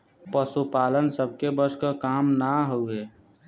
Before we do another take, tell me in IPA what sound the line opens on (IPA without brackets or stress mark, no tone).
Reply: p